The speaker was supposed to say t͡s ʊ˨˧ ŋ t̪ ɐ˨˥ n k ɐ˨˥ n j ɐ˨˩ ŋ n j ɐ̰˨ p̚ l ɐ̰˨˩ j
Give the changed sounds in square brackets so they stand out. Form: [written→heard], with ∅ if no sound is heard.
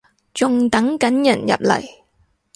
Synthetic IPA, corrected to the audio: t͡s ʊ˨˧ ŋ t̪ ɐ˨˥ [n→ŋ] k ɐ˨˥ n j ɐ˨˩ [ŋ→∅] n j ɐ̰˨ p̚ l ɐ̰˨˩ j